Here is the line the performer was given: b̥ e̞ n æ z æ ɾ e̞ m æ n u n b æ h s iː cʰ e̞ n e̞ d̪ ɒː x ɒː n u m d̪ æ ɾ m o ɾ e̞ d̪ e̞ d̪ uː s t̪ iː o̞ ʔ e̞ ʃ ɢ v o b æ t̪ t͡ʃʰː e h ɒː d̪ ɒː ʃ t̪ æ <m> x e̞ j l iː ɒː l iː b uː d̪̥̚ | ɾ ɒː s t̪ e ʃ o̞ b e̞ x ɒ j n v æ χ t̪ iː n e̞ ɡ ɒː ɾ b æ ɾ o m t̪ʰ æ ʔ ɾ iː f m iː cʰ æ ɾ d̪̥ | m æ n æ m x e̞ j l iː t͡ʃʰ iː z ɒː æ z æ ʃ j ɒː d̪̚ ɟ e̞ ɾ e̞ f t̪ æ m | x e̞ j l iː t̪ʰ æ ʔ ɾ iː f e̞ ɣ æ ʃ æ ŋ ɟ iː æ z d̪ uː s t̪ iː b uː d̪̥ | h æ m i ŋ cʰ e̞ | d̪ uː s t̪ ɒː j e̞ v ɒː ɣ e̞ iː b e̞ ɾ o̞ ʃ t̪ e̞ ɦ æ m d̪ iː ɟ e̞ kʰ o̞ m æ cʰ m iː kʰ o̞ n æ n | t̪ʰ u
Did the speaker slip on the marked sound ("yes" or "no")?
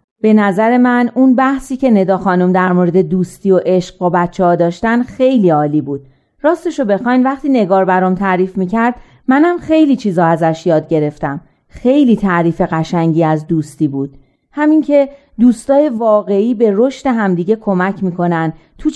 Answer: yes